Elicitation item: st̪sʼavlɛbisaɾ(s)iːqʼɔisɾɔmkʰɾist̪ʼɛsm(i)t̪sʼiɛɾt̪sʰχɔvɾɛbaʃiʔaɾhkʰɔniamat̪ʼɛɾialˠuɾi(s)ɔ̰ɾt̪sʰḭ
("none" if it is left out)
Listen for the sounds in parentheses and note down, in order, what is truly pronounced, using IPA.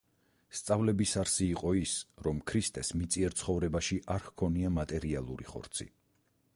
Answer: s, i, χ

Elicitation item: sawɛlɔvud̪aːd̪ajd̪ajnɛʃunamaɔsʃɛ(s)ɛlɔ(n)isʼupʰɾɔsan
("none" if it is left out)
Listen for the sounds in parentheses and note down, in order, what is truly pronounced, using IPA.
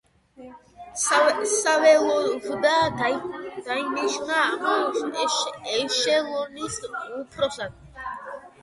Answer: ʃ, n

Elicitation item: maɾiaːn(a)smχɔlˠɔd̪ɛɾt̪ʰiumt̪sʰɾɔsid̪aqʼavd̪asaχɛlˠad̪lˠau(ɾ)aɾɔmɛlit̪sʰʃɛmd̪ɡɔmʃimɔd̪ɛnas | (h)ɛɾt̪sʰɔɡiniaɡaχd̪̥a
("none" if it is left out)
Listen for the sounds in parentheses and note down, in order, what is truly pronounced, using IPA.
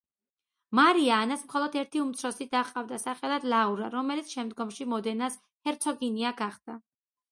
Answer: a, ɾ, h

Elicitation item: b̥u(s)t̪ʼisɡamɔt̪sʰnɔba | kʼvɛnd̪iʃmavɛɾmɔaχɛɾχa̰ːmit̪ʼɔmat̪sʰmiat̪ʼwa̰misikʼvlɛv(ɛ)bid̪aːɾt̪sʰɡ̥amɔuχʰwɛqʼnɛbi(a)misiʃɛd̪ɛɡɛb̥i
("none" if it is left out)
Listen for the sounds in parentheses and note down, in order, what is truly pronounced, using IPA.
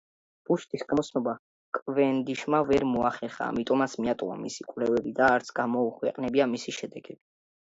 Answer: ʃ, ɛ, a

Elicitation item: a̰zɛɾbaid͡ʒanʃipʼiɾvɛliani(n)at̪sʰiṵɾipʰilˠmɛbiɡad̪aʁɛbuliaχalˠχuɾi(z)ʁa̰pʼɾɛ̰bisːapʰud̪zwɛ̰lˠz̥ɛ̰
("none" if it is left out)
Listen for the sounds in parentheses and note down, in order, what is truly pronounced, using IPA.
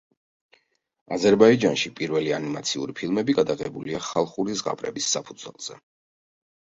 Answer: m, z

